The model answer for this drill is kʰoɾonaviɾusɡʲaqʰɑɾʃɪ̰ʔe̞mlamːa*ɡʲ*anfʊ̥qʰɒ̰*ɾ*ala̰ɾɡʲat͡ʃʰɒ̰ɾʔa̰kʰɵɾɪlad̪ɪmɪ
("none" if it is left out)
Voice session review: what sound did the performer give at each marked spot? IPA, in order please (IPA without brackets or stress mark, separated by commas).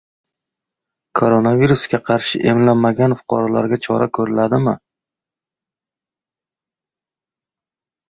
ɡʲ, ɾ